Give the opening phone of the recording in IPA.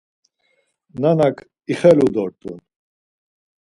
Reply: n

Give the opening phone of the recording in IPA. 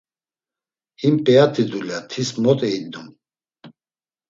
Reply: h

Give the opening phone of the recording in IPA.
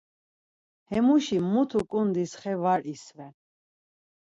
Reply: h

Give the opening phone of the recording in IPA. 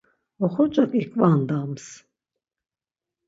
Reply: ɔ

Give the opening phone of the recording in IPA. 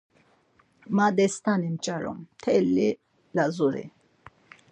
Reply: m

